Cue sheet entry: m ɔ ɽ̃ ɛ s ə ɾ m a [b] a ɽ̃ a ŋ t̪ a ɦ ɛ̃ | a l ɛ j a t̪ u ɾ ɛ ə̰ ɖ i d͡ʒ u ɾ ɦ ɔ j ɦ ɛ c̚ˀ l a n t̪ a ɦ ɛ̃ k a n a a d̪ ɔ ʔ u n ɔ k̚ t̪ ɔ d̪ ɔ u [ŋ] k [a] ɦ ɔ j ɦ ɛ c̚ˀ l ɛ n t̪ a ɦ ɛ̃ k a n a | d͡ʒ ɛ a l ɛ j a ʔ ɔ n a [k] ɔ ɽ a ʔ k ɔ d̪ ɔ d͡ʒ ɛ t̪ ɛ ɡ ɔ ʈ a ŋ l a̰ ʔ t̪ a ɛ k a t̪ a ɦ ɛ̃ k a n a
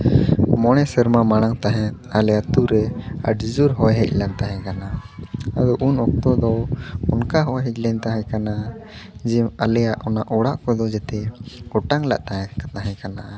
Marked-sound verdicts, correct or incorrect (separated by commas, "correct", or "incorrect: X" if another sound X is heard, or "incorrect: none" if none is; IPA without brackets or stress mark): incorrect: m, incorrect: n, correct, incorrect: ʔ